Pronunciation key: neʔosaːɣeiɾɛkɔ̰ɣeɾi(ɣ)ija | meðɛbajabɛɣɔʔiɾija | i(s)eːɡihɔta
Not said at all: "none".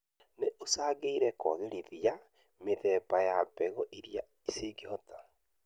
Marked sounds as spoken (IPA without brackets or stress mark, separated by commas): ð, s